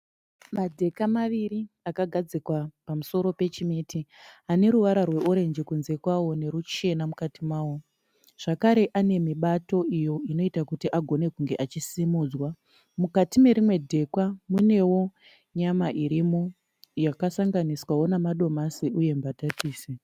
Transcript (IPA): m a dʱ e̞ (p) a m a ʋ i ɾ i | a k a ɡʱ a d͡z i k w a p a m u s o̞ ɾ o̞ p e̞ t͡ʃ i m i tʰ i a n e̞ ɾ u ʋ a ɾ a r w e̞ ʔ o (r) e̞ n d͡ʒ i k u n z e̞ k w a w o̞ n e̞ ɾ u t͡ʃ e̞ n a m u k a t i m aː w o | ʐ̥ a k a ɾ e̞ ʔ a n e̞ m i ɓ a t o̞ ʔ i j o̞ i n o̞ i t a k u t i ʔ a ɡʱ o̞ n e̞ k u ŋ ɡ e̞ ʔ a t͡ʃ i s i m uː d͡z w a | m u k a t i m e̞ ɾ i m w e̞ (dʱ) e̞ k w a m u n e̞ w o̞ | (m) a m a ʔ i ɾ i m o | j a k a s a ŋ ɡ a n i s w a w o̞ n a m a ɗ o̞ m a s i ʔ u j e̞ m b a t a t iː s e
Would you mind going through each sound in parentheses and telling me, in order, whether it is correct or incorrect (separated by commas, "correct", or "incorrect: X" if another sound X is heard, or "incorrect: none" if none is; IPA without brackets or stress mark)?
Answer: incorrect: k, incorrect: ɾ, correct, incorrect: ɲ